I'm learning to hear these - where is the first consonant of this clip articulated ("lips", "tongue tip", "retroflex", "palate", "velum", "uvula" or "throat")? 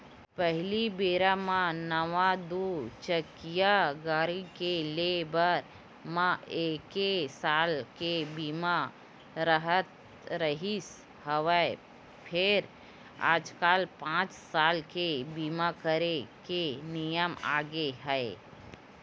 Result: lips